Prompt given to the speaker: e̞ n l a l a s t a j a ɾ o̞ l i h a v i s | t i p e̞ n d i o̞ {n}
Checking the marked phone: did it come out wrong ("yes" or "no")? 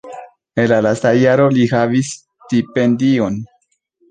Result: no